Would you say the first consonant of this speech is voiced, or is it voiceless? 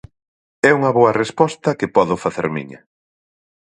voiced